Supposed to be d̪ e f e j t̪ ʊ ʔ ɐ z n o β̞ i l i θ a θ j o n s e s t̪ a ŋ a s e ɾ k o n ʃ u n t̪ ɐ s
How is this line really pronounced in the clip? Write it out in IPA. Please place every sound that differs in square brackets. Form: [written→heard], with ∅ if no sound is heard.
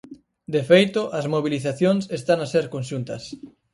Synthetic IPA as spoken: d̪ e f e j t̪ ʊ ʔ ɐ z [n→m] o β̞ i l i θ a θ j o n s e s t̪ a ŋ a s e ɾ k o n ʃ u n t̪ ɐ s